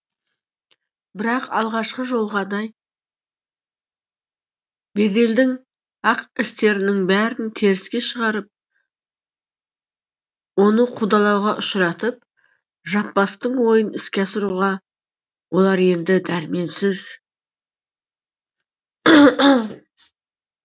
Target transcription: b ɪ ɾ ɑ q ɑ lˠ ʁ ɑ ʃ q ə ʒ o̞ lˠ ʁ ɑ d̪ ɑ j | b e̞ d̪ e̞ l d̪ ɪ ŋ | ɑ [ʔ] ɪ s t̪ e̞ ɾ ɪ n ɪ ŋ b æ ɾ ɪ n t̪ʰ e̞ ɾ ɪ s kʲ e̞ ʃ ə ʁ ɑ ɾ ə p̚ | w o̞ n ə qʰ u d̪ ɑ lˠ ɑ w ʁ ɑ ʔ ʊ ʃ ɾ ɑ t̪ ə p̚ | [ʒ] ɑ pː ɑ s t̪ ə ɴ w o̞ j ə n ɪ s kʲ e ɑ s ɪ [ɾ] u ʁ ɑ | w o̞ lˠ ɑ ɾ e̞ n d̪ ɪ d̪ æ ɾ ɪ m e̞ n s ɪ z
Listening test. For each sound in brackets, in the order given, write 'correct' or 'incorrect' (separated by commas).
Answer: incorrect, correct, correct